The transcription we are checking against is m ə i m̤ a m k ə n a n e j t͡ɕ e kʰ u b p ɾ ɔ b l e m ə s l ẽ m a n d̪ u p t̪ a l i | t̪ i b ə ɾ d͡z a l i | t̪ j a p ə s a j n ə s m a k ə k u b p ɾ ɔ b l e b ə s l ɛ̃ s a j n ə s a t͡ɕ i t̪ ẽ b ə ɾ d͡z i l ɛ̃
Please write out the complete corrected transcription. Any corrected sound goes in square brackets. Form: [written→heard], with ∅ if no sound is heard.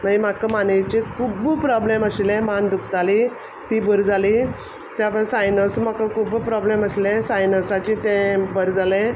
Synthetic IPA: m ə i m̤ a [m→∅] k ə [n→m] a n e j t͡ɕ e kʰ u b p ɾ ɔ b l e m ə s l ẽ m a n d̪ u [p→k] t̪ a l i | t̪ i b ə ɾ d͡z a l i | t̪ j a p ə s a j n ə s m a k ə k u b p ɾ ɔ b l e [b→m] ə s l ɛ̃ s a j n ə s a t͡ɕ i t̪ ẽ b ə ɾ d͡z [i→a] l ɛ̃